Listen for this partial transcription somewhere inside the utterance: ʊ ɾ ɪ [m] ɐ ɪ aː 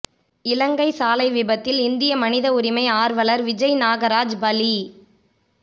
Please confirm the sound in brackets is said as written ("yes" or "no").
yes